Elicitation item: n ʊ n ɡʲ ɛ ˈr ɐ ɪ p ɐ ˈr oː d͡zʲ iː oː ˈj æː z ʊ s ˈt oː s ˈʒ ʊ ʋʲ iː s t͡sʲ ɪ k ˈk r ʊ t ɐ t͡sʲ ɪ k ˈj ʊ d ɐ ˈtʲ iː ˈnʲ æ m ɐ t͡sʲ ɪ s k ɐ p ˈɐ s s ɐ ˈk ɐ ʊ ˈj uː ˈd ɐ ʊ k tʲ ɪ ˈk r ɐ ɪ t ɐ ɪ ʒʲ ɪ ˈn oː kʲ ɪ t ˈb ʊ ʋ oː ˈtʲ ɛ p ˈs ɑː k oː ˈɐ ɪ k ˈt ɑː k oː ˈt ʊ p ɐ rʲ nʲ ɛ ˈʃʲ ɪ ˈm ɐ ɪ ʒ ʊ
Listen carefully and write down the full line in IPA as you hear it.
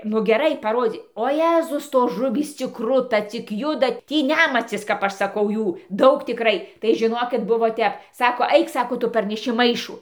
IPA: n ʊ ɡʲ ɛ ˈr ɐ ɪ p ɐ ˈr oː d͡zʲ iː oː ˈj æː z ʊ s ˈt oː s ˈʒ ʊ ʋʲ iː s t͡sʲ ɪ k ˈk r ʊ t ɐ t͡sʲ ɪ k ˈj ʊ d ɐ ˈtʲ iː ˈnʲ æ m ɐ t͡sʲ ɪ s k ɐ p ˈɐ ʃ s ɐ ˈk ɐ ʊ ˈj uː ˈd ɐ ʊ k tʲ ɪ ˈk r ɐ ɪ t ɐ ɪ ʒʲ ɪ ˈn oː kʲ ɪ t ˈb ʊ ʋ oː ˈtʲ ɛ p ˈs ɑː k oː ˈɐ ɪ k ˈs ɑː k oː ˈt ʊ p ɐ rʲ nʲ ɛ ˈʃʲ ɪ ˈm ɐ ɪ ʃ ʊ